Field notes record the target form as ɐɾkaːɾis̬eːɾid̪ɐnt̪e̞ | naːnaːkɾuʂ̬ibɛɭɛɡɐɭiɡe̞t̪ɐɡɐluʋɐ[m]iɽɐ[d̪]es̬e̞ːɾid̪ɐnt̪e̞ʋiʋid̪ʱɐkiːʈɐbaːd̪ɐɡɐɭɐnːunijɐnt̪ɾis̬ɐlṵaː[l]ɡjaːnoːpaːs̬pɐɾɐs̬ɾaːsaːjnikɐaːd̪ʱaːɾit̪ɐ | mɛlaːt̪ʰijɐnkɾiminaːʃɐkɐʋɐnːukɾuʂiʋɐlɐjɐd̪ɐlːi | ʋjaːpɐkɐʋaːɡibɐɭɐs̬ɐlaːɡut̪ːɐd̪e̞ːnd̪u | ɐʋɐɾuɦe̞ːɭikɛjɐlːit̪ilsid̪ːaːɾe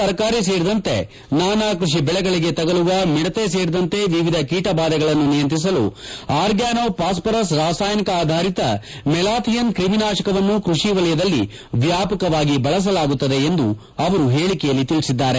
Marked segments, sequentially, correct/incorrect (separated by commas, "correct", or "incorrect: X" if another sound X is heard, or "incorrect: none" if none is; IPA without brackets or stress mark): correct, incorrect: t̪, incorrect: ɾ